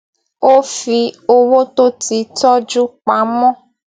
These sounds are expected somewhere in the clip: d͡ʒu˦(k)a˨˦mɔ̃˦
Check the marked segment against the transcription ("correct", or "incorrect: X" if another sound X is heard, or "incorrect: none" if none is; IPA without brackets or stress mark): incorrect: k͡p